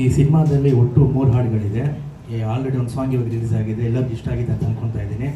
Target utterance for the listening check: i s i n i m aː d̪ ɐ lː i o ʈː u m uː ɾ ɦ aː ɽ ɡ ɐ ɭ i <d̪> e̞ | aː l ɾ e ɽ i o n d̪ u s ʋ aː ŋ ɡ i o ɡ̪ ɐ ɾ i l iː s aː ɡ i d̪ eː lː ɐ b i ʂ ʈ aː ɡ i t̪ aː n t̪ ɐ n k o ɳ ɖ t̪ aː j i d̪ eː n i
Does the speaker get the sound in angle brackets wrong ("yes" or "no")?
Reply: no